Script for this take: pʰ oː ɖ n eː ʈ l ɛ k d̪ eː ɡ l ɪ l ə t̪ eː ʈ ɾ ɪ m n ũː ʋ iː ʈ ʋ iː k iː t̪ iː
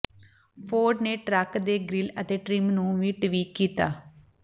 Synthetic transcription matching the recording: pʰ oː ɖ n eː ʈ ɾ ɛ k d̪ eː ɡ ɾ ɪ l ə t̪ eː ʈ ɾ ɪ m n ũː ʋ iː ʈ ʋ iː k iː t̪ aː

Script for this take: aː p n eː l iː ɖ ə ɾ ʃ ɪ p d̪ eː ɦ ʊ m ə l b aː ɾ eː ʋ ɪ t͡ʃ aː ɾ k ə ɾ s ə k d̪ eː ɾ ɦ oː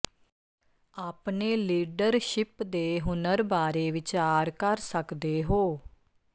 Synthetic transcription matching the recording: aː p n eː l iː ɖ ə ɾ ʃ ɪ p d̪ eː ɦ ʊ n ə ɾ b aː ɾ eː ʋ ɪ t͡ʃ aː ɾ k ə ɾ s ə k d̪ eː ɦ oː

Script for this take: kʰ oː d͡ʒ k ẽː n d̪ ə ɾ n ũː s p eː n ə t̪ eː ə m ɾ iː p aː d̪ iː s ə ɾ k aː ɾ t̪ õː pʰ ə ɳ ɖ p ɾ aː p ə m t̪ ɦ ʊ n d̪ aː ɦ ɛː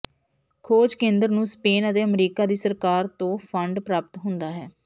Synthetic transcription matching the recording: kʰ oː d͡ʒ k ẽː n d̪ ə ɾ n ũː s p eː n ə t̪ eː ə m ɾ iː k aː d̪ iː s ə ɾ k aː ɾ t̪ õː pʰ ə ɳ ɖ p ɾ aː p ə t̪ ɦ ʊ n d̪ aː ɦ ɛː

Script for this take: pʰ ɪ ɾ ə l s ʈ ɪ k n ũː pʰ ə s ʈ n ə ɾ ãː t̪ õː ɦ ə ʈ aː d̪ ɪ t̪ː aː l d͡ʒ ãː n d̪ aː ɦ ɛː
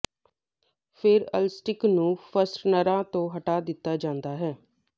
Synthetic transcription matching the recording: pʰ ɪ ɾ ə l s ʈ ɪ k n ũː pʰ ə s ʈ n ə ɾ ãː t̪ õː ɦ ə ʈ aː d̪ ɪ t̪ː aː d͡ʒ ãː n d̪ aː ɦ ɛː

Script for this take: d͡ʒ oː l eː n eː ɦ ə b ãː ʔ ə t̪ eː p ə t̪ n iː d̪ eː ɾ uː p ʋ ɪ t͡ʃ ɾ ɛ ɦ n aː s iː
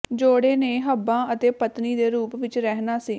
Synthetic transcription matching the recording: d͡ʒ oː ɽ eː n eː ɦ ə b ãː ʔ ə t̪ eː p ə t̪ n iː d̪ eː ɾ uː p ʋ ɪ t͡ʃ ɾ ɛ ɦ n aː s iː

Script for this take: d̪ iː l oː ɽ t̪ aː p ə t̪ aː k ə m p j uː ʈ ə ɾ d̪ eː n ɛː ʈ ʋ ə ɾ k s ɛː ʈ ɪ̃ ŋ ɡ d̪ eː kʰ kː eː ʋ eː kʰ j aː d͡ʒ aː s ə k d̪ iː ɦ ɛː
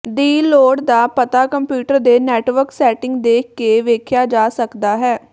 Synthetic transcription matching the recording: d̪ iː l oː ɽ d̪ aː p ə t̪ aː k ə m p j uː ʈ ə ɾ d̪ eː n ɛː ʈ ʋ ə ɾ k s ɛː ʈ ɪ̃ ŋ ɡ d̪ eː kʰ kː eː ʋ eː kʰ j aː d͡ʒ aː s ə k d̪ aː ɦ ɛː

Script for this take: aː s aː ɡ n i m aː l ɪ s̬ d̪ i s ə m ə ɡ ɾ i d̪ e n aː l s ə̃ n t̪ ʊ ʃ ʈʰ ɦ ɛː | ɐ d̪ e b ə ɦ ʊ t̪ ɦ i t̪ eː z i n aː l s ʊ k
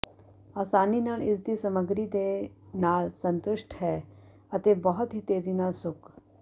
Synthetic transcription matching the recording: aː s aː n i n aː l ɪ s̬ d̪ i s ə m ə ɡ ɾ i d̪ e n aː l s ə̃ n t̪ ʊ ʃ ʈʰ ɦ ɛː | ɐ t̪ e b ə ɦ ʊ t̪ ɦ i t̪ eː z i n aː l s ʊ k

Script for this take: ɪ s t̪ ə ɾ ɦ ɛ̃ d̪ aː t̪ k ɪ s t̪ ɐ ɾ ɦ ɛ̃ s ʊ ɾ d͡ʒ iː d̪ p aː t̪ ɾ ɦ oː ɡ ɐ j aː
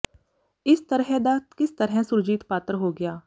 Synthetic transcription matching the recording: ɪ s t̪ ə ɾ ɦ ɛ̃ d̪ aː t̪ k ɪ s t̪ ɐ ɾ ɦ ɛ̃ s ʊ ɾ d͡ʒ iː t̪ p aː t̪ ɾ ɦ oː ɡ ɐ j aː

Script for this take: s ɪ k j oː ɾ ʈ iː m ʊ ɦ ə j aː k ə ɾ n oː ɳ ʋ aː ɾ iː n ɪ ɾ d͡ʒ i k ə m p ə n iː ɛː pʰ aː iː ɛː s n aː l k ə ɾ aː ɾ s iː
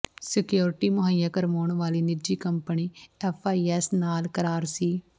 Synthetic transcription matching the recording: s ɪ k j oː ɾ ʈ iː m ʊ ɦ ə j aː k ə ɾ m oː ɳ ʋ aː l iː n ɪ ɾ d͡ʒ iː k ə m p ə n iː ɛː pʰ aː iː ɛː s n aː l k ə ɾ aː ɾ s iː

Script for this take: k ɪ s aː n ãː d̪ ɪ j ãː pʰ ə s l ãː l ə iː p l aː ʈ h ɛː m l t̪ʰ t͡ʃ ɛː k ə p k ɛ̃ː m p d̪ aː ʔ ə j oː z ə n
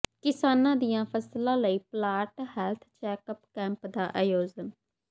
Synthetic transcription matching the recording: k ɪ s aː n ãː d̪ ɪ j ãː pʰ ə s l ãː l ə iː p l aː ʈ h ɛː l t̪ʰ t͡ʃ ɛː k ə p k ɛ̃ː m p d̪ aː ʔ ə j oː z ə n

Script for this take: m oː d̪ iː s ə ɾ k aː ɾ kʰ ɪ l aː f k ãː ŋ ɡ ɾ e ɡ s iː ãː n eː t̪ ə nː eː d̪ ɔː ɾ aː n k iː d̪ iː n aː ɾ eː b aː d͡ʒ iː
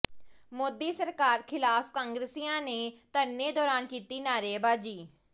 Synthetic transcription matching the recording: m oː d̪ iː s ə ɾ k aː ɾ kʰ ɪ l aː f k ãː ŋ ɡ ɾ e s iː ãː n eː t̪ ə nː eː d̪ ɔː ɾ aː n k iː t̪ iː n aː ɾ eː b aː d͡ʒ iː

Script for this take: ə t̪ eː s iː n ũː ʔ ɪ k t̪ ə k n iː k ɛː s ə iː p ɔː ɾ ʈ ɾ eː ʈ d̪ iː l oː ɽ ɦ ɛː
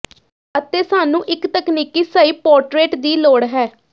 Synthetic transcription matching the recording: ə t̪ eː s aː n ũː ʔ ɪ k t̪ ə k n iː k iː s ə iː p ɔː ɾ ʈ ɾ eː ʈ d̪ iː l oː ɽ ɦ ɛː

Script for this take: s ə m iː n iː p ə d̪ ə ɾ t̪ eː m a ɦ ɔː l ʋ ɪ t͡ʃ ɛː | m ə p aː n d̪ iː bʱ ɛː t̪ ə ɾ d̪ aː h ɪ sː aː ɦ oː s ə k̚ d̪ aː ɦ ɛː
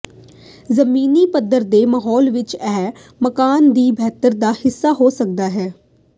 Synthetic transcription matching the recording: z ə m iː n iː p ə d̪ ə ɾ d̪ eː m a ɦ ɔː l ʋ ɪ t͡ʃ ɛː | m ə k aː n d̪ iː bʱ ɛː t̪ ə ɾ d̪ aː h ɪ sː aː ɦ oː s ə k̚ d̪ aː ɦ ɛː

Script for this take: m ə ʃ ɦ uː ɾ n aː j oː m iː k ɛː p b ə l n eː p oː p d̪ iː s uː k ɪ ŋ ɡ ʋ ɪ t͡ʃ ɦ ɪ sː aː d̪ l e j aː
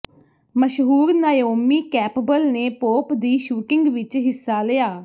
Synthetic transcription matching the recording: m ə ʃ ɦ uː ɾ n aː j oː m iː k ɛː p b ə l n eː p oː p d̪ iː ʃ uː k ɪ ŋ ɡ ʋ ɪ t͡ʃ ɦ ɪ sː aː l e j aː

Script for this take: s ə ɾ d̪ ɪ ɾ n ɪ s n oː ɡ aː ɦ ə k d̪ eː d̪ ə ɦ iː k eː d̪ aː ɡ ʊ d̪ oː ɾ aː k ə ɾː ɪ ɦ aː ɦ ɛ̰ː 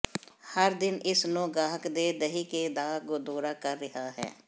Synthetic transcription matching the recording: h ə ɾ d̪ ɪ n ɪ s n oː ɡ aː ɦ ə k d̪ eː d̪ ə ɦ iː k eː d̪ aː ɡ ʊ d̪ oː ɾ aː k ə ɾː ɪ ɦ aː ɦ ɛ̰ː

